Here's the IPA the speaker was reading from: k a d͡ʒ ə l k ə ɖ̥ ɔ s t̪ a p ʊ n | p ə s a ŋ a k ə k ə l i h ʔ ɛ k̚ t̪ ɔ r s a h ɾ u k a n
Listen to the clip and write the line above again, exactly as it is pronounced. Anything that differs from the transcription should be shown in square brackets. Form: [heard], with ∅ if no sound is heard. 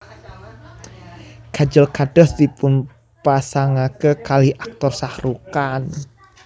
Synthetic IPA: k a d͡ʒ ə l k [a] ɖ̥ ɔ s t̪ [i] p ʊ n | p [a] s a ŋ a k ə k [a] l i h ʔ [a] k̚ t̪ ɔ r s a h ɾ u k a n